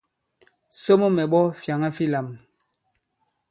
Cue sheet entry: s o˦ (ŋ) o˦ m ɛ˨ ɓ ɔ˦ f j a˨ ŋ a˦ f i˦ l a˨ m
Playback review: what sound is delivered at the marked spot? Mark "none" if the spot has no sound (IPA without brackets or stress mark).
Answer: m